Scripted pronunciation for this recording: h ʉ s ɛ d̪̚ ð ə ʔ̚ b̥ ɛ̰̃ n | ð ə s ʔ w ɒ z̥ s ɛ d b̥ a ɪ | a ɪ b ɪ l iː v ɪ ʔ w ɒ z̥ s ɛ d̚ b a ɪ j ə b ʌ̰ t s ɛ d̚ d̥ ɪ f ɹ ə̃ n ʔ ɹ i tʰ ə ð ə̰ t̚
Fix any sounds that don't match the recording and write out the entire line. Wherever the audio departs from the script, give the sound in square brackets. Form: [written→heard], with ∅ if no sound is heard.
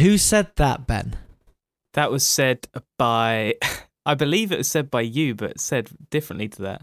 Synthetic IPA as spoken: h ʉ s ɛ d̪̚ ð ə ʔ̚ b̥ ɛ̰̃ n | ð ə [s→∅] ʔ w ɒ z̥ s ɛ d b̥ a ɪ | a ɪ b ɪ l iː v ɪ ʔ w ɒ z̥ s ɛ d̚ b a ɪ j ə b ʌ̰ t s ɛ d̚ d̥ ɪ f ɹ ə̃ n ʔ [ɹ→l] i tʰ ə ð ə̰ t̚